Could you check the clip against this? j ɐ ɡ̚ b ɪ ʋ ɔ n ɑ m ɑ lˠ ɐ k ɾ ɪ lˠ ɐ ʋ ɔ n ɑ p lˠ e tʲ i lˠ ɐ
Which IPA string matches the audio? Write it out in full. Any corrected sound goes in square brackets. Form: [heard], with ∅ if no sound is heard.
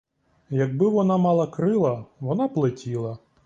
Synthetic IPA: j ɐ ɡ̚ b ɪ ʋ ɔ n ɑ m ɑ lˠ ɐ k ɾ ɪ lˠ ɐ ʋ ɔ n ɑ p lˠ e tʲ i lˠ ɐ